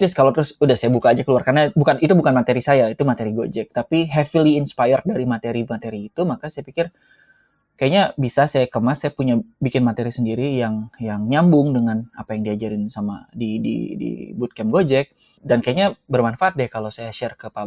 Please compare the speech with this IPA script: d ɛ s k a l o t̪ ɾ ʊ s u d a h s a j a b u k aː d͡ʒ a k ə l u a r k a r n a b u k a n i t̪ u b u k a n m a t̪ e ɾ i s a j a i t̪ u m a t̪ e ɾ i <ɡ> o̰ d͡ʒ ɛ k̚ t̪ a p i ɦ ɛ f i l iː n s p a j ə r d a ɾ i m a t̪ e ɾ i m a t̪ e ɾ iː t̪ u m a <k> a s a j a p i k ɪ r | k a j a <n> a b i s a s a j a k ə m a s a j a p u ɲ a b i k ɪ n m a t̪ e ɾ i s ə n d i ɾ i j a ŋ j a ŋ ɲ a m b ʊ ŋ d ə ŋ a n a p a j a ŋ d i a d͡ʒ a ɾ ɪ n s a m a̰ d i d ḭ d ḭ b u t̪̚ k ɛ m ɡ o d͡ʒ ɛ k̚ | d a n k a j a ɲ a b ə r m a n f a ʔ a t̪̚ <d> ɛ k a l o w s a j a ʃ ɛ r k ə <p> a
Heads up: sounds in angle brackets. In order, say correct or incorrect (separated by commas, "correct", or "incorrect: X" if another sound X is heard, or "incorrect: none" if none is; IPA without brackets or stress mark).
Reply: correct, correct, incorrect: ɲ, correct, correct